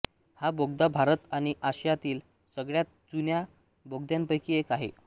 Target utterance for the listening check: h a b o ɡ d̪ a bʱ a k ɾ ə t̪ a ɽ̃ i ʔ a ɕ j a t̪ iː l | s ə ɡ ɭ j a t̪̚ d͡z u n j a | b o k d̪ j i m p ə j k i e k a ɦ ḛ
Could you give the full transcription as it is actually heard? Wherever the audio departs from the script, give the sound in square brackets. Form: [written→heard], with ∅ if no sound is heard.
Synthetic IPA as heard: h a b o ɡ d̪ a bʱ a [k→∅] ɾ ə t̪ a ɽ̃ i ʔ a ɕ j a t̪ iː l | s ə ɡ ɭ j a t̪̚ d͡z u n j a | b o [k→ɡ] d̪ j [i→a] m p ə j k i e k a ɦ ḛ